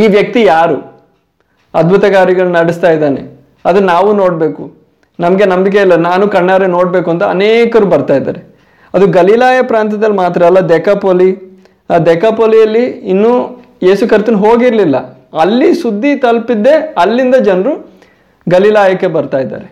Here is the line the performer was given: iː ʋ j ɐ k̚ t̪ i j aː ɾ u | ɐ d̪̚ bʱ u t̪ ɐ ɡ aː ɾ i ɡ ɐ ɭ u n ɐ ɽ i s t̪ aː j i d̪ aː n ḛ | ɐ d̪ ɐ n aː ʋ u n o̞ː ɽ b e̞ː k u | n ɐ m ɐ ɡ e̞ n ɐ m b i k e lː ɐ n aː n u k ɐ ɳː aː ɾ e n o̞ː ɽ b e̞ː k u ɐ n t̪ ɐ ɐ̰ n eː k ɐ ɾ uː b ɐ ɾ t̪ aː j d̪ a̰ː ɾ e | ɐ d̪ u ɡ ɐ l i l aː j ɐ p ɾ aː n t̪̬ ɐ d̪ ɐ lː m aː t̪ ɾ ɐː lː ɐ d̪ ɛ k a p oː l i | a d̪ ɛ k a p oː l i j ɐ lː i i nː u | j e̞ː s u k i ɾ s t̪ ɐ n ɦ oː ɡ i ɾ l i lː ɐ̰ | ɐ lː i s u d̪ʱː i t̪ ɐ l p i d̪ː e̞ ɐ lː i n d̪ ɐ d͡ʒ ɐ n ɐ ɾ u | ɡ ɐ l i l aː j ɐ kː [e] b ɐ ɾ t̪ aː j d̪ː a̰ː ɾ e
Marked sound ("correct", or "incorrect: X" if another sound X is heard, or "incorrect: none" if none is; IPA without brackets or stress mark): correct